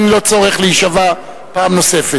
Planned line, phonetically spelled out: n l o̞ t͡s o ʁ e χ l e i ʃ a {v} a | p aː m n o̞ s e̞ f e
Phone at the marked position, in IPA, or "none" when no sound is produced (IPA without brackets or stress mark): v